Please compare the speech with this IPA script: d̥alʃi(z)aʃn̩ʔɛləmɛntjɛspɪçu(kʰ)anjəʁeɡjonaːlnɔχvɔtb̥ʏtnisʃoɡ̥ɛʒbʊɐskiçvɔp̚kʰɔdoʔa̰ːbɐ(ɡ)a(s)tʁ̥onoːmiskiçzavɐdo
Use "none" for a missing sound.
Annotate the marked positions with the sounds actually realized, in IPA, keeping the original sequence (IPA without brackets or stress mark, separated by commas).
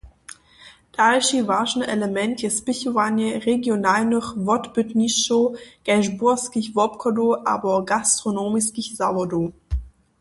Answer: v, none, ɡ, s